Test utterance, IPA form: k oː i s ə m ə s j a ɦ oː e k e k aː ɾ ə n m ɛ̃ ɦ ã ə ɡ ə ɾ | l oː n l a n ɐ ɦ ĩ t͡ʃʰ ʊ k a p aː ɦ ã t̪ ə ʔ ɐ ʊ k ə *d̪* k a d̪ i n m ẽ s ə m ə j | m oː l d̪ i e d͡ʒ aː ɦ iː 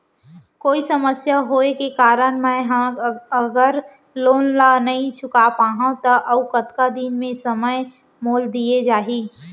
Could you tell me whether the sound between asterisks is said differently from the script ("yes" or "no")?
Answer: yes